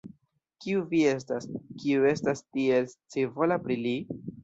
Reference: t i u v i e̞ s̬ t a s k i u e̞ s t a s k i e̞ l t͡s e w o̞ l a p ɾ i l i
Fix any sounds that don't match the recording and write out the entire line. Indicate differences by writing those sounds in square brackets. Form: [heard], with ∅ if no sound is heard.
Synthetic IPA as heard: [k] i u v i e̞ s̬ t a s k i u e̞ s t a s [t] i e̞ l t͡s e [v] o̞ l a p ɾ i l i